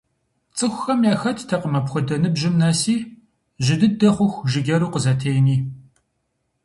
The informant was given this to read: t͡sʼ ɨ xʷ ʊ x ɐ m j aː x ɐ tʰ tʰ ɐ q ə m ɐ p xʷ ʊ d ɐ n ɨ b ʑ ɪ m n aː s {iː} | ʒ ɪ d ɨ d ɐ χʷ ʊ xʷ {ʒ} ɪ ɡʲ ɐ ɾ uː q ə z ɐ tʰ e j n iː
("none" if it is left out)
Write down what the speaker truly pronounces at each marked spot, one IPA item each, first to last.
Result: iː, ʒ

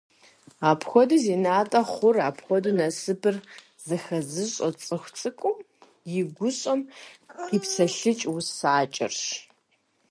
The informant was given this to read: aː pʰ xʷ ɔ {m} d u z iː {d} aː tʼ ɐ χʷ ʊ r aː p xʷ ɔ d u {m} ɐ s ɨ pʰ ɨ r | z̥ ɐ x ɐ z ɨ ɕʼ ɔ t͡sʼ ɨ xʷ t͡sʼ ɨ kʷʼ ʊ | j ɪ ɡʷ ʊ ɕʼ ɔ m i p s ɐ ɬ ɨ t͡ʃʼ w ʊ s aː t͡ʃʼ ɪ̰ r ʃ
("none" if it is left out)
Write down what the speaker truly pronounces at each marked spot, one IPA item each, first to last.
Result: none, n, n

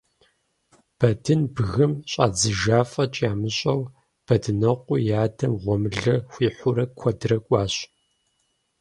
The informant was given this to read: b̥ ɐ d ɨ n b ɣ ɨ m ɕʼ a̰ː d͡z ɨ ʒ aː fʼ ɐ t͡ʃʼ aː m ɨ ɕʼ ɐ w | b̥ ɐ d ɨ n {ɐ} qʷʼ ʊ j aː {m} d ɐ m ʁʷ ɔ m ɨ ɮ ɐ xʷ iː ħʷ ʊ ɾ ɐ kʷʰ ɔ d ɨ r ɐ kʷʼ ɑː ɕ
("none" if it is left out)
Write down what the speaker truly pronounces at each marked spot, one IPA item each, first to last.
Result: ɐ, none

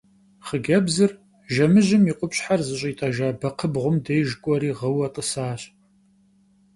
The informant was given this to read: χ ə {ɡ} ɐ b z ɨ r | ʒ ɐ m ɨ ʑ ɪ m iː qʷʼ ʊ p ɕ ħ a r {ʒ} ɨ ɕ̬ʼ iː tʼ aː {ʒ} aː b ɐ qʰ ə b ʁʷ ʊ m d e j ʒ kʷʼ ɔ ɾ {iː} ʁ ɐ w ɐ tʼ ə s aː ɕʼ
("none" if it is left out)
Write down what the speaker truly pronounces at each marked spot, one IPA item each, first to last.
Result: ɡ, z, ʒ, iː

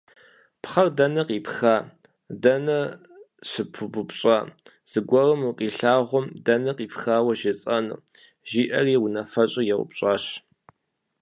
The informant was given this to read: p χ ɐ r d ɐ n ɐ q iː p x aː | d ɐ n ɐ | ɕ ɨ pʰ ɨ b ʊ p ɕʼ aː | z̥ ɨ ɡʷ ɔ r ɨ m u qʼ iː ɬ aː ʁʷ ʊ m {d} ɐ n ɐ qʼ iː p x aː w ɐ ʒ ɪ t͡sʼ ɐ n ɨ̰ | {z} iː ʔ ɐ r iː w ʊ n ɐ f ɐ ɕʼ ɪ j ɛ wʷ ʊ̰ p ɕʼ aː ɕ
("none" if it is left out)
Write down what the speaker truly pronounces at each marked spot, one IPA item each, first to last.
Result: d, ʒ

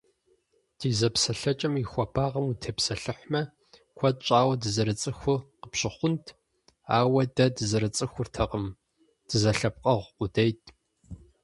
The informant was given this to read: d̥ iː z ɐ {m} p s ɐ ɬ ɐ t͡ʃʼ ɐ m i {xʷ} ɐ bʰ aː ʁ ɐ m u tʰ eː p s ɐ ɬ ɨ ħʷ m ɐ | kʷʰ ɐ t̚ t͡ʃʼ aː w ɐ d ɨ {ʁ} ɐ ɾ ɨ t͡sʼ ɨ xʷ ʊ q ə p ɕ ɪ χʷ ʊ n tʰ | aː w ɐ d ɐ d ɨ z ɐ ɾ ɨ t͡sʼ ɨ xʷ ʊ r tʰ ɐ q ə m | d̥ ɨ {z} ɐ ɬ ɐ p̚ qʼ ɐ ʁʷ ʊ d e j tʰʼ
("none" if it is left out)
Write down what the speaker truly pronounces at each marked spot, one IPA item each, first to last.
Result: none, xʷ, z, z

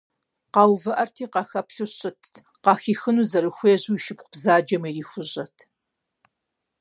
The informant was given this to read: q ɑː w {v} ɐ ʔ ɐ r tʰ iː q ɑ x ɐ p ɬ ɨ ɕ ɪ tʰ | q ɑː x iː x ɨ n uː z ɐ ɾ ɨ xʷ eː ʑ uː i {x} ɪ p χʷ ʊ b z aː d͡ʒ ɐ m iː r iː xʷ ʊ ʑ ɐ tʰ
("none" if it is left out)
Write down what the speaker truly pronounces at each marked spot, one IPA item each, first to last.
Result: v, ʃ

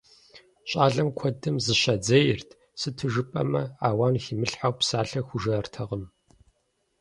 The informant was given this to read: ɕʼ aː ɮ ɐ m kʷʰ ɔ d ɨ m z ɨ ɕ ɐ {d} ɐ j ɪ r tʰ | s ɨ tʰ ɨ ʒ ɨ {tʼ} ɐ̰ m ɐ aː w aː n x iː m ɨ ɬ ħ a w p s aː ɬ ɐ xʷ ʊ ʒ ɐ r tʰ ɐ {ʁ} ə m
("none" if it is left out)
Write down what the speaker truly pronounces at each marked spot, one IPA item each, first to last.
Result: d͡z, pʼ, ʁ

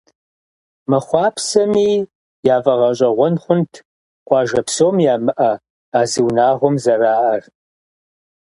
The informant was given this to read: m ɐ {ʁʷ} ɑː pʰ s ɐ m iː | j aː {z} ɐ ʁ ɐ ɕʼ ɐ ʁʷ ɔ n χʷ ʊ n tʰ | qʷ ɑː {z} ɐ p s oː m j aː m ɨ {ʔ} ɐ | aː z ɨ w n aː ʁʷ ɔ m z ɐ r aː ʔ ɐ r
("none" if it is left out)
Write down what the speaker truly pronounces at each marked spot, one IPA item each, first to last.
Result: χʷ, v, ʒ, ʔ

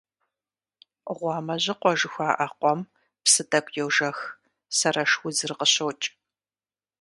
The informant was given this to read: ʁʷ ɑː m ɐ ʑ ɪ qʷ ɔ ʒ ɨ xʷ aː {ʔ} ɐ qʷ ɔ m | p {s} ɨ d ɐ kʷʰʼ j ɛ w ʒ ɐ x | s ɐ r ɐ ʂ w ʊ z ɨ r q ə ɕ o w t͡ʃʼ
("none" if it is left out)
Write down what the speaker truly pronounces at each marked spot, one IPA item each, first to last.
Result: ʔ, s

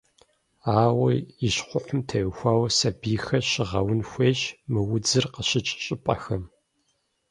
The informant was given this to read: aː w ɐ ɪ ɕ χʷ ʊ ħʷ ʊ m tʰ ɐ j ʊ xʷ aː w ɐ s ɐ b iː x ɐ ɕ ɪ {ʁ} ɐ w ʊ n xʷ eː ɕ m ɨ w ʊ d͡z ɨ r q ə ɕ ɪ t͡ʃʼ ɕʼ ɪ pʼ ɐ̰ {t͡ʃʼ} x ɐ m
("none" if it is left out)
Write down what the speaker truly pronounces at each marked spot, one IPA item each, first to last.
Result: ʁ, none

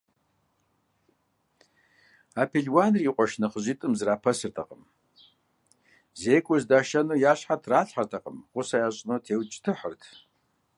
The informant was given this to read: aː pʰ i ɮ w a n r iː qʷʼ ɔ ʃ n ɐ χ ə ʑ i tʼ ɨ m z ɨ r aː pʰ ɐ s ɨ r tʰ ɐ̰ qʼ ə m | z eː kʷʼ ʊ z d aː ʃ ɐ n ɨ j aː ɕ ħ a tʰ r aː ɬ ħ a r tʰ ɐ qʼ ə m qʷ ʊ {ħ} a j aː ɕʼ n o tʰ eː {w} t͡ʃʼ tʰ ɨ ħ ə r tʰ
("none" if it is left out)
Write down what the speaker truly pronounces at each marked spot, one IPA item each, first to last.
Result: s, w

